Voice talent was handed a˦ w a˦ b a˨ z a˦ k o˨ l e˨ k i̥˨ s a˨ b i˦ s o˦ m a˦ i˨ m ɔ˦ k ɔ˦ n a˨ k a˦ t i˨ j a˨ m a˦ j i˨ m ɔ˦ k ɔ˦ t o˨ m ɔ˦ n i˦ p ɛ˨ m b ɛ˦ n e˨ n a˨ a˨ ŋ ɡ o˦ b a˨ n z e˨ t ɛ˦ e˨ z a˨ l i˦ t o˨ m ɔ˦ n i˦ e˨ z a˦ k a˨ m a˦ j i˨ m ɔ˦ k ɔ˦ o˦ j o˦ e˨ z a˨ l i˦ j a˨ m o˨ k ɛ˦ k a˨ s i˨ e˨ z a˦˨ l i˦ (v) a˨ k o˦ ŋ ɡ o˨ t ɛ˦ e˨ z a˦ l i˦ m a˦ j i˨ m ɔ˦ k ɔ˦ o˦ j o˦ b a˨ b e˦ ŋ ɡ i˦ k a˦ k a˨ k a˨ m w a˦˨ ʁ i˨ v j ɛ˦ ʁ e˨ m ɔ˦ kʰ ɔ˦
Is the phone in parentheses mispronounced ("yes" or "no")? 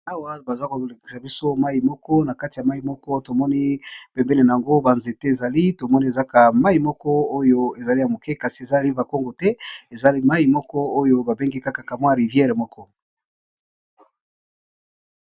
no